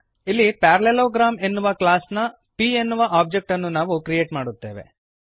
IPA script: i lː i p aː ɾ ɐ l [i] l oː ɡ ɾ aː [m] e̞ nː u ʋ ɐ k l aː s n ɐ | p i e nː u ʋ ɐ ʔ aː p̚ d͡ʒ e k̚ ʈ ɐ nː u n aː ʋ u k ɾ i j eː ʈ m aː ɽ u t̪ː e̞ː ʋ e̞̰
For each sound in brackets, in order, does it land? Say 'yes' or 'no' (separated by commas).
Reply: no, yes